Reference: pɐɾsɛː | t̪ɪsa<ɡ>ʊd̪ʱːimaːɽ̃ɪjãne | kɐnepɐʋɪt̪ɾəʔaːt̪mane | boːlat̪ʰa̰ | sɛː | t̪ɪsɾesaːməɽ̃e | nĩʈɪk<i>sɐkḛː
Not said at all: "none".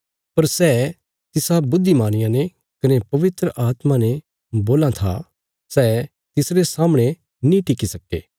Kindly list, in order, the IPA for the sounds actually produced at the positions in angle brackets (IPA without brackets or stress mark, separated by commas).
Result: b, i